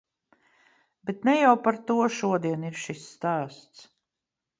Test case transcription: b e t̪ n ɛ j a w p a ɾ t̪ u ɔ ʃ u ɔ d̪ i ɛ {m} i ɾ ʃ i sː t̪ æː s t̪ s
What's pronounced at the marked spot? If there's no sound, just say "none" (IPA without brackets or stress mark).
n